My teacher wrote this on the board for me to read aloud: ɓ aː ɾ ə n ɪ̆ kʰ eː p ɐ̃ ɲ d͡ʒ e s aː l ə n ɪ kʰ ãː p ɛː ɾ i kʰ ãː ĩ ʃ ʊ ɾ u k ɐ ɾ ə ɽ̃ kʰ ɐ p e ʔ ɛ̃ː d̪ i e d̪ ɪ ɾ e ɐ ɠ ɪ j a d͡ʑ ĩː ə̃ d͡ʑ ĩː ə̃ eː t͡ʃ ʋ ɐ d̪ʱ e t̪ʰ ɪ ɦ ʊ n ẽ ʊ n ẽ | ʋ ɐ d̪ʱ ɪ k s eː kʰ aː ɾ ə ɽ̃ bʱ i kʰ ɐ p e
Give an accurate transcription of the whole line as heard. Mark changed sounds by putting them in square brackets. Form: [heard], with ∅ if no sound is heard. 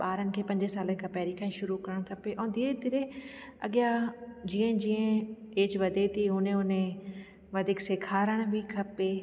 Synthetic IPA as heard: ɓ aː ɾ ə n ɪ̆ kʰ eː p ɐ̃ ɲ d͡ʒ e s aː l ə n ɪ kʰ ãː p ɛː ɾ i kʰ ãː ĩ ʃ ʊ ɾ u k ɐ ɾ ə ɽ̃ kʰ ɐ p e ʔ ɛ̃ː d̪ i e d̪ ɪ ɾ e ɐ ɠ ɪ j a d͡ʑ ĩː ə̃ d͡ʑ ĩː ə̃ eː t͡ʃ ʋ ɐ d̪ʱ e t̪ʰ [i] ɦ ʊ n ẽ ʊ n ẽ | ʋ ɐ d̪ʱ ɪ k s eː kʰ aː ɾ ə ɽ̃ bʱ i kʰ ɐ p e